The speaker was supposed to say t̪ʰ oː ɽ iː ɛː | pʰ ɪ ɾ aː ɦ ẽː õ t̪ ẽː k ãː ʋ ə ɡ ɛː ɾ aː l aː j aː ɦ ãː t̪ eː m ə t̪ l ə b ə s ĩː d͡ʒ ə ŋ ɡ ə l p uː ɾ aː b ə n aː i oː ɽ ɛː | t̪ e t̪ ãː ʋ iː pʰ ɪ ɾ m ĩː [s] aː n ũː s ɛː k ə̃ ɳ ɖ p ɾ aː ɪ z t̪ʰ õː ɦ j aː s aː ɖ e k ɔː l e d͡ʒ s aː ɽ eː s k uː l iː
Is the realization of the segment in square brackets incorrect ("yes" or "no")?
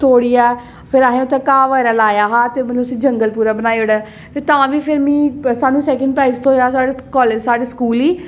no